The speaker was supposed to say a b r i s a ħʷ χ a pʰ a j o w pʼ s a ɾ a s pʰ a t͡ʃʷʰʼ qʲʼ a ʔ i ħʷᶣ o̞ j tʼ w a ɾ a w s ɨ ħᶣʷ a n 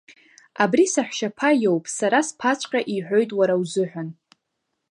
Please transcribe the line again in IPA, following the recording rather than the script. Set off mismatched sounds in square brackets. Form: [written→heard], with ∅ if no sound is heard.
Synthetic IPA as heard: a b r i s a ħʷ [χ→ʃ] a pʰ a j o w pʼ s a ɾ a s pʰ a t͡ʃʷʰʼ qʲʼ a ʔ i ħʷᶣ o̞ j tʼ w a ɾ a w [s→z] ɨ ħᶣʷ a n

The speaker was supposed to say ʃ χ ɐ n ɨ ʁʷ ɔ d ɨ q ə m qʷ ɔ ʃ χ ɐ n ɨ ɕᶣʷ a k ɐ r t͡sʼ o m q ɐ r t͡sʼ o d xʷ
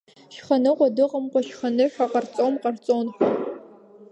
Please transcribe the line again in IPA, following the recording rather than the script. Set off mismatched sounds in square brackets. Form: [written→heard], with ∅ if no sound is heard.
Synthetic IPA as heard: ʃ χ ɐ n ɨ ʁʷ ɔ d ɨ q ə m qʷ ɔ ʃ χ ɐ n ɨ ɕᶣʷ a [k→q] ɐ r t͡sʼ o m q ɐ r t͡sʼ o [d→n] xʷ

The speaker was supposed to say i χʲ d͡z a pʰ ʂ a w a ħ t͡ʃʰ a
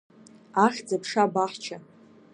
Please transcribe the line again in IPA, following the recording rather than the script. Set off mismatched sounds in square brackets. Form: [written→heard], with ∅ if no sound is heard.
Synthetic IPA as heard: [i→a] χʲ d͡z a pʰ ʂ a [w→b] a ħ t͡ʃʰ a

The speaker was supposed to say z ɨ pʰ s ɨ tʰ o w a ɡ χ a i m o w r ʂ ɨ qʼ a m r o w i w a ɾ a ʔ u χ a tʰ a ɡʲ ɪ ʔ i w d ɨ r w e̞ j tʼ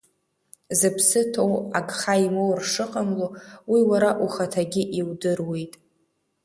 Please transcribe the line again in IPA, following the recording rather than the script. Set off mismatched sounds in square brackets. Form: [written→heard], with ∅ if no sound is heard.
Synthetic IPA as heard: z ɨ pʰ s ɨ tʰ o w a ɡ χ a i m o w r ʂ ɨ qʼ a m [r→l] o w i w a ɾ a ʔ u χ a tʰ a ɡʲ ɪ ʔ i w d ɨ r w e̞ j tʼ

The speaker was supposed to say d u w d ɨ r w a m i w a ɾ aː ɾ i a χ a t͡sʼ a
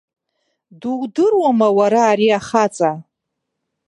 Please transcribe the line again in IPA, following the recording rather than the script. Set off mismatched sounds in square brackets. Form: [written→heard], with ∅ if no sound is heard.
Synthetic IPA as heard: d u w d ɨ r w a m [i→a] w a ɾ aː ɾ i a χ a t͡sʼ a

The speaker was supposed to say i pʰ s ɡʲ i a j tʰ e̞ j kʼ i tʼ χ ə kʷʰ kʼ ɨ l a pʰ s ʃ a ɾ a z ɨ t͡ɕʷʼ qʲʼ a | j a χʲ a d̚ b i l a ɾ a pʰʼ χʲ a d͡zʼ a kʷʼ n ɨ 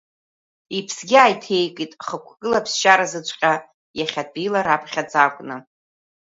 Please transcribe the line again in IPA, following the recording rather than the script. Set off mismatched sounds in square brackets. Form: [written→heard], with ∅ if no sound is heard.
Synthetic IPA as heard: i pʰ s ɡʲ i a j tʰ e̞ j kʼ i tʼ χ ə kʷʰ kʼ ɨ l a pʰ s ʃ a ɾ a z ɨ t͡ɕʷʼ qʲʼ a | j a χʲ a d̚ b i l a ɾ a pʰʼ χʲ a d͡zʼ a kʷʼ n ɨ

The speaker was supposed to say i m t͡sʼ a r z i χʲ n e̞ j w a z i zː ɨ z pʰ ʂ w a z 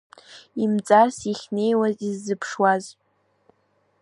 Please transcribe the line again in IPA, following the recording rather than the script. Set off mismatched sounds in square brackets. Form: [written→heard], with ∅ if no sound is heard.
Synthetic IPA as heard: i m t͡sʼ a r [z→s] i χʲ n e̞ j w a z i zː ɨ [z→∅] pʰ ʂ w a z

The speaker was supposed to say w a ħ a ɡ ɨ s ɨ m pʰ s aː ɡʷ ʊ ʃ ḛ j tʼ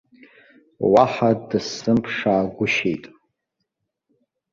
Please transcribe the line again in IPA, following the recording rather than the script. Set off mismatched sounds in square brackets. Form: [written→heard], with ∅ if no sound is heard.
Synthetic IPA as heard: w a ħ a [ɡ→d] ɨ s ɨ m pʰ [s→ʂ] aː ɡʷ ʊ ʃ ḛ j tʼ

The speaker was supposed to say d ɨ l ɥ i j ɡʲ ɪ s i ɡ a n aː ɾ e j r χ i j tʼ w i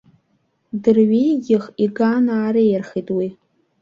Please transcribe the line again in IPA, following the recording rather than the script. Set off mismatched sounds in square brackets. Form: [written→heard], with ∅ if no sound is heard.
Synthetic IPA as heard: d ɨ [l→r] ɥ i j ɡʲ ɪ [s→χ] i ɡ a n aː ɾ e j r χ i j tʼ w i

